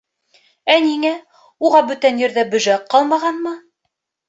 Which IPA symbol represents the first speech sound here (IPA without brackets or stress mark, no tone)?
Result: æ